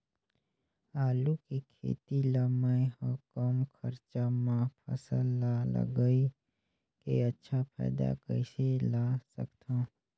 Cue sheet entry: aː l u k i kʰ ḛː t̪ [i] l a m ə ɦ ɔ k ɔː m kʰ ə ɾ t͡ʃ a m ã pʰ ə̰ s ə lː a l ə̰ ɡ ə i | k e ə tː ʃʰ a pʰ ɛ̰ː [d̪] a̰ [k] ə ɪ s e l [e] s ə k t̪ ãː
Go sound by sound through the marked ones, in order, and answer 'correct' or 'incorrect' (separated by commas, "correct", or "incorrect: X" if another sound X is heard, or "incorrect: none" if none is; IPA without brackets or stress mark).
correct, correct, correct, incorrect: a